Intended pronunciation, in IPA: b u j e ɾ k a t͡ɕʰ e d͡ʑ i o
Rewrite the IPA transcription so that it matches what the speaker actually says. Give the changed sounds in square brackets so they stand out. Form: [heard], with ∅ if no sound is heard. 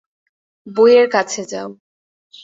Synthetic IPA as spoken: b [o] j e ɾ k a t͡ɕʰ e d͡ʑ [a] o